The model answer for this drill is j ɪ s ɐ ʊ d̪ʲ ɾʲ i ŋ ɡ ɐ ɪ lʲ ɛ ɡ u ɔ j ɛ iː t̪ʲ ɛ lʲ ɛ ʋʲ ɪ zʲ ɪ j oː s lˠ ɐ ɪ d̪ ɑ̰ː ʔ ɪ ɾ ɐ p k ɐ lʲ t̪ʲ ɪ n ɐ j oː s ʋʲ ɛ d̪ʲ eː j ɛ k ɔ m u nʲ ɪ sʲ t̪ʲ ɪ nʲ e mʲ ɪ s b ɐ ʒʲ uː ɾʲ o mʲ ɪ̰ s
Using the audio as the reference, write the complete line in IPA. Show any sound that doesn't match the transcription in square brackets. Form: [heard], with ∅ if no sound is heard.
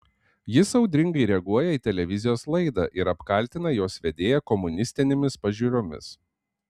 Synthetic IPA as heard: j ɪ s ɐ ʊ d̪ʲ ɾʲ [ɪ] ŋ ɡ ɐ ɪ [ɾʲ] ɛ ɡ u ɔ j ɛ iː t̪ʲ ɛ lʲ ɛ ʋʲ ɪ zʲ ɪ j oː s lˠ ɐ ɪ d̪ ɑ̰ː ʔ ɪ ɾ ɐ p k ɐ lʲ t̪ʲ ɪ n ɐ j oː s ʋʲ ɛ d̪ʲ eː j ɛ k ɔ m [ʊ] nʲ ɪ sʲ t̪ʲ ɪ nʲ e mʲ ɪ s [p] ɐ ʒʲ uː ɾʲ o mʲ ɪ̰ s